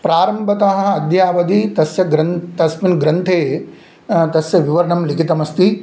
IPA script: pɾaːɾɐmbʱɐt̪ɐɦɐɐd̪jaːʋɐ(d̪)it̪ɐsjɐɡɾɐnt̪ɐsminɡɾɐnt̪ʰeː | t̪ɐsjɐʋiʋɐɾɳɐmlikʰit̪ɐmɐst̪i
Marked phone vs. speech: correct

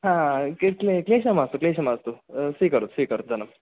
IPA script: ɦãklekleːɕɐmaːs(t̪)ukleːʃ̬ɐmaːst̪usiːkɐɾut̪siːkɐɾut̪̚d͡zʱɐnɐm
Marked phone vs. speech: correct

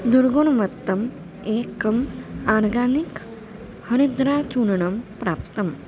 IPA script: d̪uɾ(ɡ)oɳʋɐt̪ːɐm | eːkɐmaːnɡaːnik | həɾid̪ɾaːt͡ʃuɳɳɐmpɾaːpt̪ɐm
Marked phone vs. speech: correct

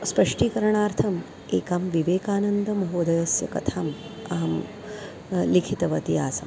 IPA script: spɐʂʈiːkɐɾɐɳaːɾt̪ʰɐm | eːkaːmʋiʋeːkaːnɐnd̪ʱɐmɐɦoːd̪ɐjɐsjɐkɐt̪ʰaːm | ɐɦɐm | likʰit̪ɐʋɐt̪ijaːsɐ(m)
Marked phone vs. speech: correct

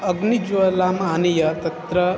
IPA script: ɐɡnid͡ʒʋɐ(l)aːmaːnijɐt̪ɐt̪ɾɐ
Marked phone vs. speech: correct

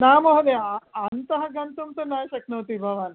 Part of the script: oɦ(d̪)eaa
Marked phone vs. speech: correct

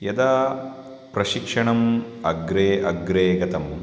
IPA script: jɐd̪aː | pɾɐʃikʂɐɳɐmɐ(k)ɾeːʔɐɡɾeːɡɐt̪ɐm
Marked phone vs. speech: incorrect: ɡ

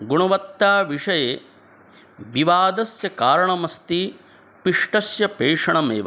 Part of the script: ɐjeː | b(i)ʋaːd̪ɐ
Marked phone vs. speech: correct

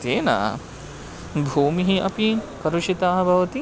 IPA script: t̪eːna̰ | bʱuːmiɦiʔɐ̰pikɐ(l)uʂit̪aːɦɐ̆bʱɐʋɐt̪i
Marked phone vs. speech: incorrect: ɾ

